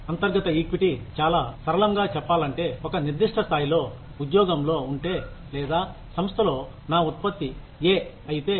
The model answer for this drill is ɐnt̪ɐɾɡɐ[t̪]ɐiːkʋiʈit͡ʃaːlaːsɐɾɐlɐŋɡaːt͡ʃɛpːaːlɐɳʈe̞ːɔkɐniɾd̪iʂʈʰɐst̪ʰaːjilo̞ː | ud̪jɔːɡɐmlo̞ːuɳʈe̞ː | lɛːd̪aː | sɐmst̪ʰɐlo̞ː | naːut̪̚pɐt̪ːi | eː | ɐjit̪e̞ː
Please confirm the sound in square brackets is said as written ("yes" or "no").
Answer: yes